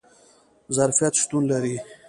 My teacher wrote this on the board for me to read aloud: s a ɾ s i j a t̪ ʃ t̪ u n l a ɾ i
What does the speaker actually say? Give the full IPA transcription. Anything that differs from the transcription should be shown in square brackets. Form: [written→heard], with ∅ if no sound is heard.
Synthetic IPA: [s→z] a ɾ [s→f] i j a t̪ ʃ t̪ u n l a ɾ i